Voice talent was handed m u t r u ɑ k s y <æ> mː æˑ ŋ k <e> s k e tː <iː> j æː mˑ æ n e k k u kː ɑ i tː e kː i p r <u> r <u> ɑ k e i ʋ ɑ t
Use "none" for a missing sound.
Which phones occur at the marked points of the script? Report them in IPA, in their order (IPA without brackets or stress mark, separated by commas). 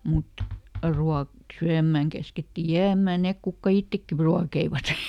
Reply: æ, æ, i, u, u